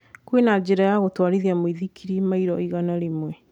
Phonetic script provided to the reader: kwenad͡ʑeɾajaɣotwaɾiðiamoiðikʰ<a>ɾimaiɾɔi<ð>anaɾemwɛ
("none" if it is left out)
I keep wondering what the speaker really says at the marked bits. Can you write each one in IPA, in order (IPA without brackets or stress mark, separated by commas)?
i, ɣ